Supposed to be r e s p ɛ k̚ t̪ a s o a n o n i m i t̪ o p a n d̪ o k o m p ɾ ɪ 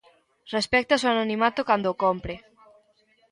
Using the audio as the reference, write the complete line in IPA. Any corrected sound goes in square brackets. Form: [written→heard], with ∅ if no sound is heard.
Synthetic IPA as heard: r e s p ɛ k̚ t̪ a s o a n o n i m [i→a] t̪ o [p→k] a n d̪ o k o m p ɾ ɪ